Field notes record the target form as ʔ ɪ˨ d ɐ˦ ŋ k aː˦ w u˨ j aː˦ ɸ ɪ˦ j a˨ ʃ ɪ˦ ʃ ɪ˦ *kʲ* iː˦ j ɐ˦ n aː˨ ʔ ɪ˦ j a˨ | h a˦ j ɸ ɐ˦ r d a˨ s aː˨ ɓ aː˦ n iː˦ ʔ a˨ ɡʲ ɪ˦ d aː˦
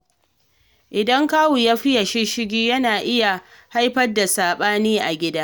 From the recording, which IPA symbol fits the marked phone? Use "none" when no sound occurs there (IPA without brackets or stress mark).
ɡʲ